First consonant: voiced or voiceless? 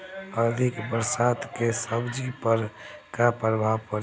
voiced